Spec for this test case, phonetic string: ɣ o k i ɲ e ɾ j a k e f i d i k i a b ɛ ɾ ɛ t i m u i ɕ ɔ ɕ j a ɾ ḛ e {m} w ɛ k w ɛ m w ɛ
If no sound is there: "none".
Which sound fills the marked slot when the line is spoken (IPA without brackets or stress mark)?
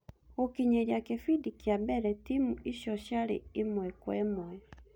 m